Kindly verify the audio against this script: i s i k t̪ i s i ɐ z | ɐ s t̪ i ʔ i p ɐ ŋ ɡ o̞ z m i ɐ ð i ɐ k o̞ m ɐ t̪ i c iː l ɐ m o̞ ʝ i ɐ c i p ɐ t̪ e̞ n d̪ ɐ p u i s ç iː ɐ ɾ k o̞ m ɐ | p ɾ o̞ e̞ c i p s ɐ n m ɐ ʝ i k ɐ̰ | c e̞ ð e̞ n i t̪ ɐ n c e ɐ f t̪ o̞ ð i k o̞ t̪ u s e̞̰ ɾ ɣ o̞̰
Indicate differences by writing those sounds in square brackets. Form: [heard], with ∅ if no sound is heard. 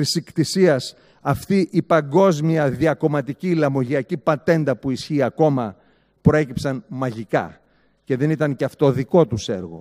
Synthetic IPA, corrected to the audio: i s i k t̪ i s i ɐ [s] | ɐ [f] t̪ i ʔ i p ɐ ŋ ɡ o̞ z m i ɐ ð i ɐ k o̞ m ɐ t̪ i c iː l ɐ m o̞ ʝ i ɐ c i p ɐ t̪ e̞ n d̪ ɐ p u i s ç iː ɐ [∅] k o̞ m ɐ | p ɾ o̞ e̞ c i p s ɐ n m ɐ ʝ i k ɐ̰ | c e̞ ð e̞ n i t̪ ɐ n c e ɐ f t̪ o̞ ð i k o̞ t̪ u s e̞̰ ɾ ɣ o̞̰